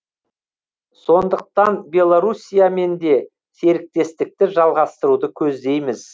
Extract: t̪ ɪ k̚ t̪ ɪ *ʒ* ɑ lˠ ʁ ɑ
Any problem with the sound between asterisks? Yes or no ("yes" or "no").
no